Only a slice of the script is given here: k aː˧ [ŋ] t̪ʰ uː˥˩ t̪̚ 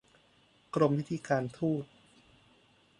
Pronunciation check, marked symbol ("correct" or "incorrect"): incorrect